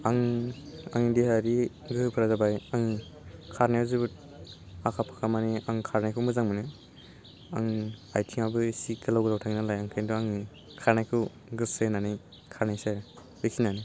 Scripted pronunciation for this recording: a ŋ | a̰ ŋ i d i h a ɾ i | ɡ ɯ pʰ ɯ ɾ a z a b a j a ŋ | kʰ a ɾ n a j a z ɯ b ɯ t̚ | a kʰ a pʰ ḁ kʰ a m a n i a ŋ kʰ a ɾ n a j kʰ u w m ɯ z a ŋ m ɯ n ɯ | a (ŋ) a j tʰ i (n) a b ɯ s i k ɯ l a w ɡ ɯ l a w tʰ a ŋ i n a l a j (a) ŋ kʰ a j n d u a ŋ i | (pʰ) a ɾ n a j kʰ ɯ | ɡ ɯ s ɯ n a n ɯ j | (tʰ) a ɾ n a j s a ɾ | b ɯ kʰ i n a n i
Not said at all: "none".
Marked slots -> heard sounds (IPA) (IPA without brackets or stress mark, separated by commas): ŋ, ŋ, a, kʰ, kʰ